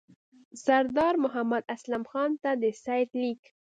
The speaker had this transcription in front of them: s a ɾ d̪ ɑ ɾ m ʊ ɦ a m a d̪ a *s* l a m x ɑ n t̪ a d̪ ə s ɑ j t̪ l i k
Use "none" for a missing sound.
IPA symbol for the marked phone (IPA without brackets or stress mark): s